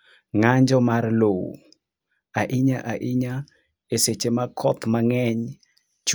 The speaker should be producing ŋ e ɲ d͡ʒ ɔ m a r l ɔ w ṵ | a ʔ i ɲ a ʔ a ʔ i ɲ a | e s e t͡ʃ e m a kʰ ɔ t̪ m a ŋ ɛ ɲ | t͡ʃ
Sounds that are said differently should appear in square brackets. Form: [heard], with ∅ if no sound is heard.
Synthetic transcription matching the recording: ŋ [a] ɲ d͡ʒ ɔ m a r l [o] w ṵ | a ʔ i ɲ a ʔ a ʔ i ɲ a | e s e t͡ʃ e m a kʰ ɔ t̪ m a ŋ ɛ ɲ | t͡ʃ